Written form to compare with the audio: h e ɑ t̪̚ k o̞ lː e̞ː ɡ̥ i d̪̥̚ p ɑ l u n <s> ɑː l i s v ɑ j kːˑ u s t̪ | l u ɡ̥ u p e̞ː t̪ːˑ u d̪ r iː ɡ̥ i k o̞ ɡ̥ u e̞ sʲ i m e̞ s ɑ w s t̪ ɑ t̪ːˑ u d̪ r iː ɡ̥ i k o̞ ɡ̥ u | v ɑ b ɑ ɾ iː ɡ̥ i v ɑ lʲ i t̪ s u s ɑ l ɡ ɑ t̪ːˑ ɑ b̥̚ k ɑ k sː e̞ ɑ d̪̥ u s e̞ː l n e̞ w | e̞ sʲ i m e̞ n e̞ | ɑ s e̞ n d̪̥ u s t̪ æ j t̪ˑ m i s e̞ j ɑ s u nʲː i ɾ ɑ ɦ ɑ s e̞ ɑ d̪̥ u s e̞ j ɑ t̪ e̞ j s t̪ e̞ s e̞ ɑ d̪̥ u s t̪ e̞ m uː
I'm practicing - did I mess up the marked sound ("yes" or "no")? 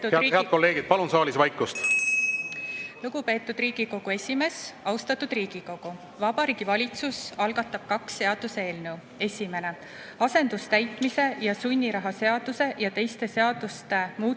no